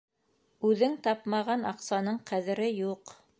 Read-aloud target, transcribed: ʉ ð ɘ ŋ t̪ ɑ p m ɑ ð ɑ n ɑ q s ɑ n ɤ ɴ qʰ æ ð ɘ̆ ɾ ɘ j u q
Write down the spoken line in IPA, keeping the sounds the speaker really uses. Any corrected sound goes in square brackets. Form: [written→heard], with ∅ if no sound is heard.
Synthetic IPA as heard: ʉ ð ɘ ŋ t̪ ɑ p m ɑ [ð→ʁ] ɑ n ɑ q s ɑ n ɤ ɴ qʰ æ ð ɘ̆ ɾ ɘ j u q